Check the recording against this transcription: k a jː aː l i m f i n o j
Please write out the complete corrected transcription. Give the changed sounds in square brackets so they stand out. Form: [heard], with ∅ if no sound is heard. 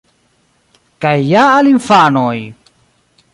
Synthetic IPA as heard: k a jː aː l i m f [a] n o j